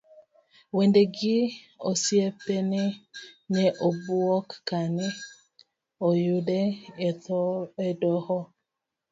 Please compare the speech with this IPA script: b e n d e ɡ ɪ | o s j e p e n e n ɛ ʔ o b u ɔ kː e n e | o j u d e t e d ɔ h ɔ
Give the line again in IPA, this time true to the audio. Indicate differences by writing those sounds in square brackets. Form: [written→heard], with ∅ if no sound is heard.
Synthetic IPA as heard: [b→w] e n d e ɡ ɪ | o s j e p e n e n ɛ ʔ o b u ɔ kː [e→a] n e | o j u d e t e d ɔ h ɔ